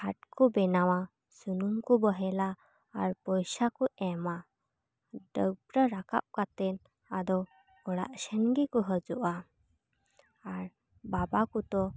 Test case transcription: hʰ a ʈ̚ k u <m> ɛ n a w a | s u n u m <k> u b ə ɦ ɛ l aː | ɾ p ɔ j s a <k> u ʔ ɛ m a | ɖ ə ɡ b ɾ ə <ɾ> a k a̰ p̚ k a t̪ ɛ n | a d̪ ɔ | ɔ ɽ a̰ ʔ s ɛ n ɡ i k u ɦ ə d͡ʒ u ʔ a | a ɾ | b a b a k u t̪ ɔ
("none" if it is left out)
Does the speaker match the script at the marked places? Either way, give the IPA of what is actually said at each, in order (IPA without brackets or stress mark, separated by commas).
b, k, k, ɾ